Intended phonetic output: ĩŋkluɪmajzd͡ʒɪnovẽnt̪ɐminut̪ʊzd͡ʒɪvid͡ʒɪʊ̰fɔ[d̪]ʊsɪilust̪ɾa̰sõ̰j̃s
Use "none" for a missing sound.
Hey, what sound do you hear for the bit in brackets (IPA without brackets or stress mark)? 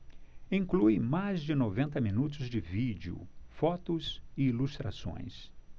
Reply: t̪